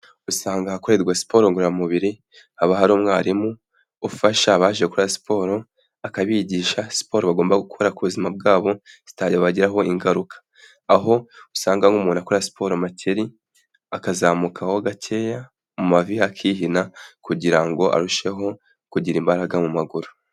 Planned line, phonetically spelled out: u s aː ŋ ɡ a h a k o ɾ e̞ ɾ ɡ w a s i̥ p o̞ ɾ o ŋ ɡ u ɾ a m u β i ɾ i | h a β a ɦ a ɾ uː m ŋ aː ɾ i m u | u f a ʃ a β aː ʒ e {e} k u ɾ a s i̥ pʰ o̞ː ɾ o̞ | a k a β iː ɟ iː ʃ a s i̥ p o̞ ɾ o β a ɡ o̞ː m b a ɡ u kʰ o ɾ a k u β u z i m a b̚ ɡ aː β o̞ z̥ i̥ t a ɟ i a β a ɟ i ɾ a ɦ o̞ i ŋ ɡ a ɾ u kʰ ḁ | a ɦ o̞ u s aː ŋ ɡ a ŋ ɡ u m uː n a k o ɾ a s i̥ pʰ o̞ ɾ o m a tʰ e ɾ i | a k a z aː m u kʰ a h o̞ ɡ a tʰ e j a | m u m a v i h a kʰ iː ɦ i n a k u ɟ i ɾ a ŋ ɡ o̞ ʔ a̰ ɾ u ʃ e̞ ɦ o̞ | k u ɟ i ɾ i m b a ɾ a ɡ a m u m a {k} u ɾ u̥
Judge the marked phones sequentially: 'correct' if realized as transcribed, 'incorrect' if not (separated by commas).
correct, incorrect